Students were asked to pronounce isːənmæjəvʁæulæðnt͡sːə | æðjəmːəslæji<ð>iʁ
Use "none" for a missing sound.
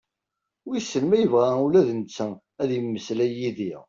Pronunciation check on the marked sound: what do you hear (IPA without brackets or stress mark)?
ð